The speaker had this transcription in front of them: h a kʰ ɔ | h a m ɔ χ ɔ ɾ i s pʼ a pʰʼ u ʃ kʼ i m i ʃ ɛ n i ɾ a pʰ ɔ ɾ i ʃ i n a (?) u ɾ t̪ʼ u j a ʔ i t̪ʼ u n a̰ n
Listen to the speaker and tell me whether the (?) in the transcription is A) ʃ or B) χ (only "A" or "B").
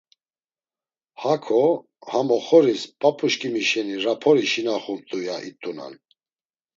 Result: B